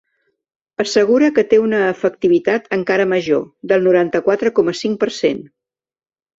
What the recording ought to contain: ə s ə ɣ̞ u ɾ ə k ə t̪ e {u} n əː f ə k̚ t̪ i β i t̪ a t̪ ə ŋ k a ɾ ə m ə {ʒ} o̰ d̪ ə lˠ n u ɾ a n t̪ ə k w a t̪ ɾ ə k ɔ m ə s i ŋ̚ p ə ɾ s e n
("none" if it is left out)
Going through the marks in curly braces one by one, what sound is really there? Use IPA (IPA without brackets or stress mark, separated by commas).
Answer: u, ʒ